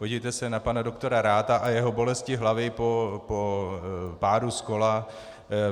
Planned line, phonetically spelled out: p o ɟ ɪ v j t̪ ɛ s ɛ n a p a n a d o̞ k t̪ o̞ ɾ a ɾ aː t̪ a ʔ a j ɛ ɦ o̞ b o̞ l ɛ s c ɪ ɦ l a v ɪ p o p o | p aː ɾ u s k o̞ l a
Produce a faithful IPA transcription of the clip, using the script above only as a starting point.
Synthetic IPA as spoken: p o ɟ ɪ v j t̪ ɛ s ɛ n a p a n a d o̞ k t̪ o̞ ɾ a ɾ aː t̪ a ʔ a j ɛ ɦ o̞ b o̞ l ɛ s c ɪ ɦ l a v ɪ p o p o | p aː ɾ u s k o̞ l a